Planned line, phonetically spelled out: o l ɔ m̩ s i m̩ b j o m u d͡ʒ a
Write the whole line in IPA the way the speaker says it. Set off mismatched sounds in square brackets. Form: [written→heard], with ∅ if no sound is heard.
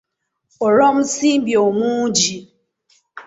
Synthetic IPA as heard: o [l→ɾ] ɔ m̩ s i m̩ b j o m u d͡ʒ [a→i]